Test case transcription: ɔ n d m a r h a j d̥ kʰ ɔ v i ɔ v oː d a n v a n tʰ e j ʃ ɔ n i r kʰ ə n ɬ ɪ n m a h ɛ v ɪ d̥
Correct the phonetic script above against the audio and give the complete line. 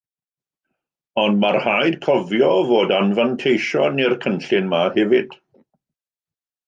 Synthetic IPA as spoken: ɔ n d m a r h a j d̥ kʰ ɔ v j ɔ v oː d a n v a n tʰ e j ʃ ɔ n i r kʰ ə n ɬ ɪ n m a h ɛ v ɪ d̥